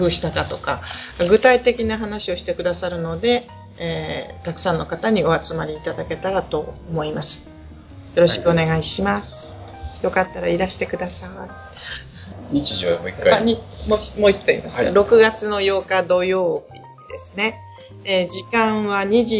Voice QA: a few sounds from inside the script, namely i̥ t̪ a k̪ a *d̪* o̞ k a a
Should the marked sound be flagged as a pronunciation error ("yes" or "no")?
yes